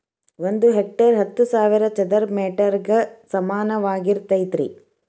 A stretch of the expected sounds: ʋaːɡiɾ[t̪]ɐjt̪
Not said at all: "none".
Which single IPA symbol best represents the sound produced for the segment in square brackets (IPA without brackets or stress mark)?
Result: t̪